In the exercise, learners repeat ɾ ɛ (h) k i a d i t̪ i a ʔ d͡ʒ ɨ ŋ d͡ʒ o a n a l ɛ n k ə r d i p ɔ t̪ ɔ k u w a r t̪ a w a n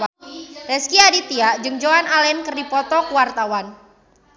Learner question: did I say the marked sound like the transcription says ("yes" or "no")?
no